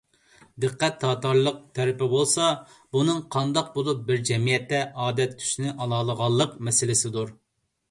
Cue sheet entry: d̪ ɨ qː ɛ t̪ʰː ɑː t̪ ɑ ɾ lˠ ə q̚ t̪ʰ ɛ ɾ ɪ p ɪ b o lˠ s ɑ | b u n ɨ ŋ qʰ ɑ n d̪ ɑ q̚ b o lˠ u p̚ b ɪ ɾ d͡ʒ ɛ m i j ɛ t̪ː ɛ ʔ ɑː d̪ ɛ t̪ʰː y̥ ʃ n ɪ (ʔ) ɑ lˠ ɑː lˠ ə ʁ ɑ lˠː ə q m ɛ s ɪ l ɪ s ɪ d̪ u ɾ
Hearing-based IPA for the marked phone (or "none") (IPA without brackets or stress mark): ʔ